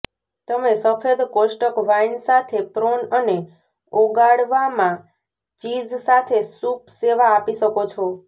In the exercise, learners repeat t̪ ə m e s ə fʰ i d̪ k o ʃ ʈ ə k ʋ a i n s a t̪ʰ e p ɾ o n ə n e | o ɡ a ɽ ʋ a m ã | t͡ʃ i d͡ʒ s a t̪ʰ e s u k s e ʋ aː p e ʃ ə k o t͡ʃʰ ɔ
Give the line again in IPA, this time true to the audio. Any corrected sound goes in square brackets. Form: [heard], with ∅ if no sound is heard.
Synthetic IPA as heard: t̪ ə m e s ə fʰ [e] d̪ k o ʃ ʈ ə k ʋ a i n s a t̪ʰ e p ɾ o n ə n e | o ɡ a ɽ ʋ a m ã | t͡ʃ i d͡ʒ s a t̪ʰ e s u [p] s e ʋ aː p [i] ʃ ə k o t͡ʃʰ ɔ

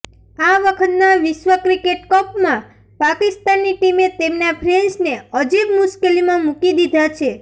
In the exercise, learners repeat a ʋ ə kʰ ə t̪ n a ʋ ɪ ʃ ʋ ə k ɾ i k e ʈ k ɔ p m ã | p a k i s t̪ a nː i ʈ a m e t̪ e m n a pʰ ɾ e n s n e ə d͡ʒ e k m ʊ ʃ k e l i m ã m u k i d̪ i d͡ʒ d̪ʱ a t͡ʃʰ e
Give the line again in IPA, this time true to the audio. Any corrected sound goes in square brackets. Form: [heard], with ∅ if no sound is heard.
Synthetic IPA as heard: a ʋ ə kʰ ə t̪ n a ʋ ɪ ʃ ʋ ə k ɾ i k e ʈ k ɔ p m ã | p a k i s t̪ a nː i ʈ [i] m e t̪ e m n a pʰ ɾ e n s n e ə d͡ʒ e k m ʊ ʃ k e l i m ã m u k i d̪ i [∅] d̪ʱ a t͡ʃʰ e

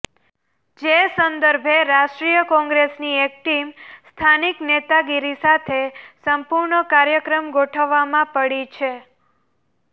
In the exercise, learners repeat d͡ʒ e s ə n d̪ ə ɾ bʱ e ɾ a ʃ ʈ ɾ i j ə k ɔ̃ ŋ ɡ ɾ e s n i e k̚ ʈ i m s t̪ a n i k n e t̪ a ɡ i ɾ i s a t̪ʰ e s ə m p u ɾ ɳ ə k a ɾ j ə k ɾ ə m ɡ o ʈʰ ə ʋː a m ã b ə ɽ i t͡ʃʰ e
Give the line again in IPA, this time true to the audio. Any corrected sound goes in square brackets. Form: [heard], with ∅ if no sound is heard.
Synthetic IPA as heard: d͡ʒ e s ə n d̪ ə ɾ bʱ e ɾ a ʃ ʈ ɾ i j ə k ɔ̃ ŋ ɡ ɾ e s n i e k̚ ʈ i m s [t̪ʰ] a n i k n e t̪ a ɡ i ɾ i s a t̪ʰ e s ə m p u ɾ ɳ ə k a ɾ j ə k ɾ ə m ɡ o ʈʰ ə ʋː a m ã [p] ə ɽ i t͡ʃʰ e

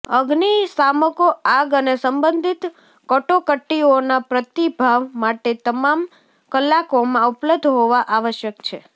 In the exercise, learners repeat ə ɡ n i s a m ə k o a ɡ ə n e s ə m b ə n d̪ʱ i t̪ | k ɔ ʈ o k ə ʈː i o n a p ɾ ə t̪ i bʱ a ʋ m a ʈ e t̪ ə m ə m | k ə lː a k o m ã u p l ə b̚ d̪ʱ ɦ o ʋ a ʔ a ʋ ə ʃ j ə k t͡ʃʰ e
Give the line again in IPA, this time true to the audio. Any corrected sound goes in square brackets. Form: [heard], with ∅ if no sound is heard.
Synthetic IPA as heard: ə ɡ n i s a m ə k o a ɡ ə n e s ə m b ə n d̪ʱ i t̪ | k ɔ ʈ o k ə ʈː i o n a p ɾ ə t̪ i bʱ a ʋ m a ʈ e t̪ ə m [a] m | k ə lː a k o m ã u p l ə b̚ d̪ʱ ɦ o ʋ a ʔ a ʋ ə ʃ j ə k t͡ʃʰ e

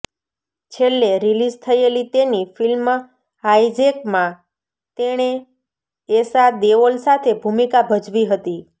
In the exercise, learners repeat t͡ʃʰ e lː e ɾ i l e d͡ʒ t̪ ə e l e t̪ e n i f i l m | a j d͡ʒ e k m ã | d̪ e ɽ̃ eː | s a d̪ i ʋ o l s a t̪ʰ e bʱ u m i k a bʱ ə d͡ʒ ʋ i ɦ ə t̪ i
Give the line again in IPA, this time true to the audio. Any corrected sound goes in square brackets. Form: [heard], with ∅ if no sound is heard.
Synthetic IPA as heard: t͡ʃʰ e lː e ɾ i l [i] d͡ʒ [t̪ʰ] ə e l [i] t̪ e n i f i l m | a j d͡ʒ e k m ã | [t̪] e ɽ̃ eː | s a d̪ [e] ʋ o l s a t̪ʰ e bʱ u m i k a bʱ ə d͡ʒ ʋ i ɦ ə t̪ i

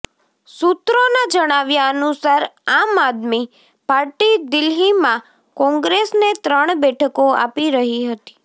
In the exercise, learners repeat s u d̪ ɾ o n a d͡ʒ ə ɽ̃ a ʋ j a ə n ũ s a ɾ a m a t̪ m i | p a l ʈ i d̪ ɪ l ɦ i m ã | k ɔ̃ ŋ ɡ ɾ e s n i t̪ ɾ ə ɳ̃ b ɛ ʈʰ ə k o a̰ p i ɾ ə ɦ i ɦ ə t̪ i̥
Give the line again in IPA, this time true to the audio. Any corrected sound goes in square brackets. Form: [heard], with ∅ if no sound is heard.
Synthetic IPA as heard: s u [t̪] ɾ o n a d͡ʒ ə ɽ̃ a ʋ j a ə n [u] s a ɾ a m a [d̪] m i | p a [ɾ] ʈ i d̪ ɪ l ɦ i m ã | k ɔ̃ ŋ ɡ ɾ e s n [e] t̪ ɾ ə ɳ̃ b ɛ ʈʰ ə k o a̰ p i ɾ ə ɦ i ɦ ə t̪ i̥

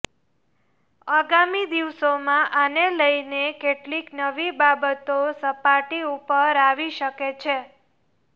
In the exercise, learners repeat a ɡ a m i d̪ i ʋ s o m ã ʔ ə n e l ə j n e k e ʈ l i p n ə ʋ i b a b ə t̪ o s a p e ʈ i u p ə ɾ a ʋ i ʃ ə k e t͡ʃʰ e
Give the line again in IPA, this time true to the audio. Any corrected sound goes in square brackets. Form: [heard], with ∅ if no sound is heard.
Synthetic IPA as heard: a ɡ a m i d̪ i ʋ s o m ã ʔ [a] n e l ə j n e k e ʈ l i [k] n ə ʋ i b a b ə t̪ o s [ə] p [a] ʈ i u p ə ɾ a ʋ i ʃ ə k e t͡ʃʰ e

